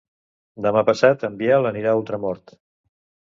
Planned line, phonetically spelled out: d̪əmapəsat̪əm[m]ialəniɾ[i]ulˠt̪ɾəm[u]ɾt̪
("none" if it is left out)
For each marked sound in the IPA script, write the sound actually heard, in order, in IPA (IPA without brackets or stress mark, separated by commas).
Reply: b, a, ɔ